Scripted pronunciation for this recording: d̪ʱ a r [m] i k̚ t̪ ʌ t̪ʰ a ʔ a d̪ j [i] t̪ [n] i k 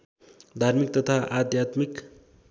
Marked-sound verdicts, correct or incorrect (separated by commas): correct, incorrect, incorrect